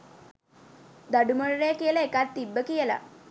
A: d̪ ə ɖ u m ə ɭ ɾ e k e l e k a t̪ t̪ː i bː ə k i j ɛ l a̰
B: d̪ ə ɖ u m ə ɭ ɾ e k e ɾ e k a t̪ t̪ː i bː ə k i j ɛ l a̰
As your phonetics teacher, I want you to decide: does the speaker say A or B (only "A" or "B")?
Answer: A